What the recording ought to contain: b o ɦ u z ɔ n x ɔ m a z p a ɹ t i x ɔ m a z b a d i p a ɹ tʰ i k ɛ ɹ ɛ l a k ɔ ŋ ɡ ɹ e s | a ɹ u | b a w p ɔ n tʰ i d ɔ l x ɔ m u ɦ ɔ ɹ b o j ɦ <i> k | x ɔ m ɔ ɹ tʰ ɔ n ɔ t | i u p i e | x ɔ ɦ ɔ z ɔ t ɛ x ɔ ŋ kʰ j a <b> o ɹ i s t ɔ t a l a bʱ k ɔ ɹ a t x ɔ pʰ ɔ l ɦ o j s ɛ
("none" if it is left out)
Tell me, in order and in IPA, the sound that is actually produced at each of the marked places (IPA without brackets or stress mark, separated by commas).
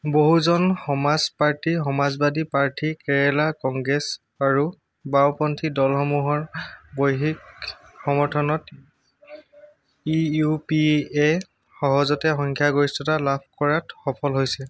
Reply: i, ɡ